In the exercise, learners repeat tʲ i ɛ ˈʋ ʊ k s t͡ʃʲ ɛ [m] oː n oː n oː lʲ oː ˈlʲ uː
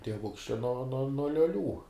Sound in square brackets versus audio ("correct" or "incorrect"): incorrect